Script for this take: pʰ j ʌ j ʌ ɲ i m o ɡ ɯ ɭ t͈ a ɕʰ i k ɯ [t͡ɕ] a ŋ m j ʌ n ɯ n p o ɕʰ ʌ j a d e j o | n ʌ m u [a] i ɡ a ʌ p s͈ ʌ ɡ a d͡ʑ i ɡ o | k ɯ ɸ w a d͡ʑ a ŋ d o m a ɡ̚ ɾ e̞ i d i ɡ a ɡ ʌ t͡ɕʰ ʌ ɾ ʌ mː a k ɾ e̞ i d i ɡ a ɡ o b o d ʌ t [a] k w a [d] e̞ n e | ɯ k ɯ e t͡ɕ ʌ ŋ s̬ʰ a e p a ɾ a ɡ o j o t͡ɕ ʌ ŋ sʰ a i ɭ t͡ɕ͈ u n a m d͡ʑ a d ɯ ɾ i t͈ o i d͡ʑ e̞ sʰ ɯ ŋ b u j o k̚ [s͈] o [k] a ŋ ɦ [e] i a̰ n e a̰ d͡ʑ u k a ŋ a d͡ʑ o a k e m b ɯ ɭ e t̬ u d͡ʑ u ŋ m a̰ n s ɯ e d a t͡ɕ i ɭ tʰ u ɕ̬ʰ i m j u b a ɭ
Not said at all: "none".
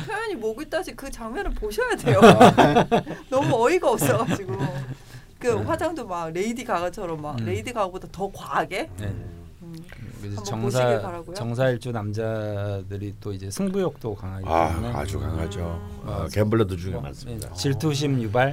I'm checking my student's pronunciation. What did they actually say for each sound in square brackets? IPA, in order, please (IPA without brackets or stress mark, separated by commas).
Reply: t͡ɕ, ʌ, ʌ, ɡ, t͈, k, a